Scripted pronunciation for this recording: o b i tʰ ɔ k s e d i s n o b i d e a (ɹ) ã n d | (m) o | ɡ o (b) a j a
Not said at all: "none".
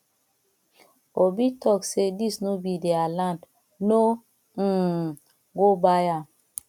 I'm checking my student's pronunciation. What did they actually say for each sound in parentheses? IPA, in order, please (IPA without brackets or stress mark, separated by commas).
l, n, b